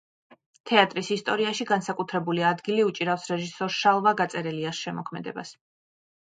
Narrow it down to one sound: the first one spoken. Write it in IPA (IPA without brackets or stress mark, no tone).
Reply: t̪ʰ